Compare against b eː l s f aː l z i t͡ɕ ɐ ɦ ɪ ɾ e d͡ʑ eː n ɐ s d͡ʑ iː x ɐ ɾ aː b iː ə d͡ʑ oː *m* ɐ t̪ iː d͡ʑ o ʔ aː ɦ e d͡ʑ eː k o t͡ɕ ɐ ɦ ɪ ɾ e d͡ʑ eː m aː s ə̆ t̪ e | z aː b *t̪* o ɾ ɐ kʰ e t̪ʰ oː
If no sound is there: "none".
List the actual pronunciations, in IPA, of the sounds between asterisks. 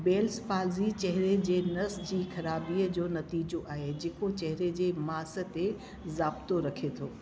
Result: n, t̪

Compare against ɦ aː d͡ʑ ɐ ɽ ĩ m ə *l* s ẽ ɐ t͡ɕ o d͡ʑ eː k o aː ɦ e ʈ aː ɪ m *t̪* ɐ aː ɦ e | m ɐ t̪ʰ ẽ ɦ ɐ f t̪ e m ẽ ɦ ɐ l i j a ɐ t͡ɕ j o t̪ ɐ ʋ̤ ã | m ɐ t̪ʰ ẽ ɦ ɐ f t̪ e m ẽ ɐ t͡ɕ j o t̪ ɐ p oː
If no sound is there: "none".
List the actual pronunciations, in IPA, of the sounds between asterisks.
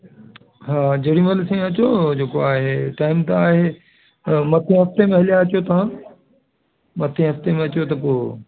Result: l, t̪

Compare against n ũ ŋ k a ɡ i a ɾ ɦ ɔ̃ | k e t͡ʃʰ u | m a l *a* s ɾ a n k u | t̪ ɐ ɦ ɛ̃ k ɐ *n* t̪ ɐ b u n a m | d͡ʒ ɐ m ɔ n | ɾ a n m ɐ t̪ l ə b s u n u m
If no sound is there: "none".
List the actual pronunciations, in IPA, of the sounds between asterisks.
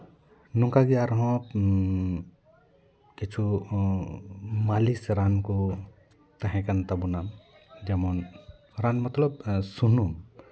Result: i, n

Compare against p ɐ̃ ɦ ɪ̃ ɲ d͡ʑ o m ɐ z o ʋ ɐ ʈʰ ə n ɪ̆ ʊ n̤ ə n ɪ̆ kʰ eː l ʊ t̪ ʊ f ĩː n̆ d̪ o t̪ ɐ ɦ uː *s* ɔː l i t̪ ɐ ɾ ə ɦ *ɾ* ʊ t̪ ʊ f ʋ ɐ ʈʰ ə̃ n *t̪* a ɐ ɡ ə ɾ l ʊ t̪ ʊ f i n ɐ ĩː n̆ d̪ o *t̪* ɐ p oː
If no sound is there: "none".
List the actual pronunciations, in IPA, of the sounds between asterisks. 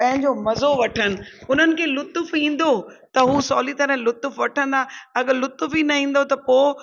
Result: s, l, d̪, t̪

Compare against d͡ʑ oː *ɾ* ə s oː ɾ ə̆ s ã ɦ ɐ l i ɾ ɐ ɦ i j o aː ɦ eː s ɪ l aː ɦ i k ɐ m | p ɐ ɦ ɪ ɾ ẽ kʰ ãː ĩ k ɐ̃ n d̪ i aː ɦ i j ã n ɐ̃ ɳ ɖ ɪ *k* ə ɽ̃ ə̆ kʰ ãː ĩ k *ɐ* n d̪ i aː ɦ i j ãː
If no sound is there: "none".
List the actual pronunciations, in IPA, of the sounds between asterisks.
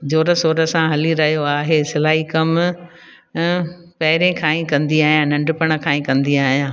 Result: ɾ, p, ɐ̃

